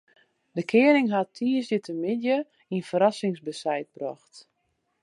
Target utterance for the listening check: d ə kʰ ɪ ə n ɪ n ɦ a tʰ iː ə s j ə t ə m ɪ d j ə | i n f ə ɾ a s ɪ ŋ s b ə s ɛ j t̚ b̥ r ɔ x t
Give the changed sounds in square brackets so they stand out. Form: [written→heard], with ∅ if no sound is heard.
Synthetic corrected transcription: d ə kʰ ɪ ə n ɪ [n→ŋ] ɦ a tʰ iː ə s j ə t ə m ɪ d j ə | i n f ə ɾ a s ɪ ŋ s b ə s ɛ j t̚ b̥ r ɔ x t